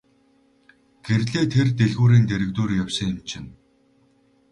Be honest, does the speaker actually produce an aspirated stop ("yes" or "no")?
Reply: yes